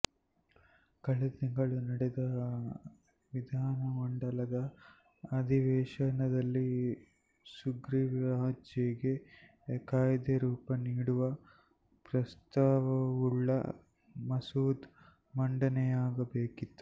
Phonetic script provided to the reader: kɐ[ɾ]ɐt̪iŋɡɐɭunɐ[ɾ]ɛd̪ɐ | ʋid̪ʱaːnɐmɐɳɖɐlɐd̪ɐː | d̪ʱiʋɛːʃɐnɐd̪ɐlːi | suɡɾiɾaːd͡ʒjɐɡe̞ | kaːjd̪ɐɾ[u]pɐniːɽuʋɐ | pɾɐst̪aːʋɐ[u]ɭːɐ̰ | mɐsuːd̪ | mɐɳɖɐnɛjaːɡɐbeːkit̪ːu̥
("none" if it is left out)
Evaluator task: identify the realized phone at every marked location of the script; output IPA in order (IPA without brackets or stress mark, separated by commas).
ɭ, ɽ, uː, u